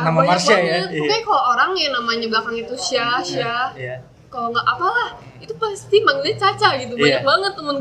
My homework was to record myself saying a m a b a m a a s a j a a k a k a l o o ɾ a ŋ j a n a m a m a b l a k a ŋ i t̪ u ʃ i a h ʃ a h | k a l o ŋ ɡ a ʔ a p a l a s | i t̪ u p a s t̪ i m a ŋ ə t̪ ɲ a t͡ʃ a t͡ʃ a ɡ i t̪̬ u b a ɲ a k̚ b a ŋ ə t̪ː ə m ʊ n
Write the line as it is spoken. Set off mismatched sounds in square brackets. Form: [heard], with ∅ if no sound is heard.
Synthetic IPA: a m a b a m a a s a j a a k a k a l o o ɾ a ŋ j a n a m a [ɲ] a b l a k a ŋ i t̪ u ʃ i a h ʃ a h | k a l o ŋ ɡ a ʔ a p a l a [h] | i t̪ u p a s t̪ i m a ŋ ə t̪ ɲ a t͡ʃ a t͡ʃ a ɡ i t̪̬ u b a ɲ a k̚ b a ŋ ə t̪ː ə m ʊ n